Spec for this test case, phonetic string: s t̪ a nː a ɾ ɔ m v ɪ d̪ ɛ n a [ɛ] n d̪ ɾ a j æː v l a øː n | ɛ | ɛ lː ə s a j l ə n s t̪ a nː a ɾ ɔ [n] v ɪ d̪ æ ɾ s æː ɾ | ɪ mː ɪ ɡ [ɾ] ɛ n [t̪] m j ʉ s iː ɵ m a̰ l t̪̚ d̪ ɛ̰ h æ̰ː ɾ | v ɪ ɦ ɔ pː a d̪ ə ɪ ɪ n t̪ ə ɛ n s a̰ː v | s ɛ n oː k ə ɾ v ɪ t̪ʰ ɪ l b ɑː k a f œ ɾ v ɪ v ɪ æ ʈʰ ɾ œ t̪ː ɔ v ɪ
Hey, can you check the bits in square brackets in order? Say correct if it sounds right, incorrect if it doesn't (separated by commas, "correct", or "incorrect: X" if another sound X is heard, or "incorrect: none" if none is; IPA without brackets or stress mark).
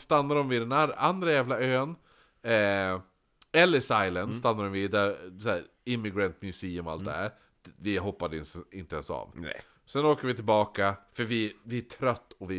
incorrect: a, incorrect: m, correct, correct